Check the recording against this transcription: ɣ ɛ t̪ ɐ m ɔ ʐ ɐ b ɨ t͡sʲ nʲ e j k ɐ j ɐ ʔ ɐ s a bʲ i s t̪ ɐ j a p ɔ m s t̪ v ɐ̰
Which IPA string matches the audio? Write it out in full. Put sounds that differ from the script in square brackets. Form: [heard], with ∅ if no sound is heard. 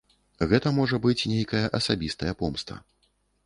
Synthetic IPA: ɣ ɛ t̪ ɐ m ɔ ʐ ɐ b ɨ t͡sʲ nʲ e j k ɐ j ɐ ʔ ɐ s a bʲ i s t̪ ɐ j [ɐ] p ɔ m s t̪ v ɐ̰